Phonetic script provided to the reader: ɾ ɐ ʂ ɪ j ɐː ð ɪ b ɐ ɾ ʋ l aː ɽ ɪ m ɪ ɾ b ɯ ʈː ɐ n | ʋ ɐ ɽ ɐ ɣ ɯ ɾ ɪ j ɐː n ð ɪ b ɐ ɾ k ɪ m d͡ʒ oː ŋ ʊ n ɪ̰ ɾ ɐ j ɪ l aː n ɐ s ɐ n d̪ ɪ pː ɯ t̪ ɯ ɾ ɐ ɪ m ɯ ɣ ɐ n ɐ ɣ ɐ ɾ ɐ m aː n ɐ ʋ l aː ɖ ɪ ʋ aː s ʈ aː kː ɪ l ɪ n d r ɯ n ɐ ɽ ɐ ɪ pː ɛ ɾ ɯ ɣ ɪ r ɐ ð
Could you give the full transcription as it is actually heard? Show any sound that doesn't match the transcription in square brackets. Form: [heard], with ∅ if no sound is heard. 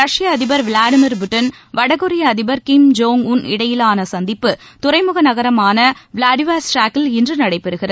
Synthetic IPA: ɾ ɐ ʂ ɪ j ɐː ð ɪ b ɐ ɾ ʋ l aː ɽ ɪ m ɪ ɾ b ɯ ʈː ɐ n | ʋ ɐ ɽ ɐ ɣ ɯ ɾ ɪ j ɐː [∅] ð ɪ b ɐ ɾ k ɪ m d͡ʒ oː ŋ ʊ n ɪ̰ [ɽ] ɐ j ɪ l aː n ɐ s ɐ n d̪ ɪ pː ɯ t̪ [ʊ] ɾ ɐ ɪ m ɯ ɣ ɐ n ɐ ɣ ɐ ɾ ɐ m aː n ɐ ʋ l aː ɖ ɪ ʋ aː s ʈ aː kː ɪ l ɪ n d r ɯ n ɐ ɽ ɐ ɪ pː ɛ ɾ ɯ ɣ ɪ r ɐ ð